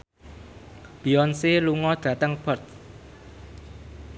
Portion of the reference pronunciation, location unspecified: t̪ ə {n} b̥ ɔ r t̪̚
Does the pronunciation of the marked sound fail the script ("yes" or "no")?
yes